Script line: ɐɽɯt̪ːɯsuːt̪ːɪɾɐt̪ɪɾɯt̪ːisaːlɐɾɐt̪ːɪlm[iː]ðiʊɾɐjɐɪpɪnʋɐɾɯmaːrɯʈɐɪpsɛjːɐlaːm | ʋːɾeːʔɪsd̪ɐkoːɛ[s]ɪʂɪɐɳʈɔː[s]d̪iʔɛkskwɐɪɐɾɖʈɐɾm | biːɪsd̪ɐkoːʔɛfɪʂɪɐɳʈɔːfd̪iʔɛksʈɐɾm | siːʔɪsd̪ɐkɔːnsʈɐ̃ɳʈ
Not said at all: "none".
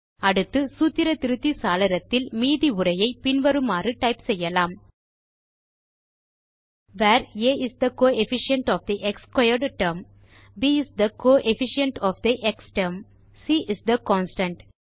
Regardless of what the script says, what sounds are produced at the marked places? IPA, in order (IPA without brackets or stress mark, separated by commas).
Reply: iː, f, f